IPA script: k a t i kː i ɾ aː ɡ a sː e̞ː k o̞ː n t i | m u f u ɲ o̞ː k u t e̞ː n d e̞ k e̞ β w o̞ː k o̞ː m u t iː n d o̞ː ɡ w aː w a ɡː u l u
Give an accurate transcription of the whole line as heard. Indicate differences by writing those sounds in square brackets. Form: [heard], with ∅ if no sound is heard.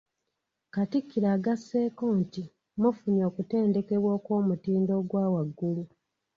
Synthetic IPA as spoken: k a t i kː i ɾ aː ɡ a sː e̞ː k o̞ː n t i | m u f u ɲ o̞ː k u t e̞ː n d e̞ k e̞ β w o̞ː k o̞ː m u t iː n d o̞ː ɡ w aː w a ɡː u l u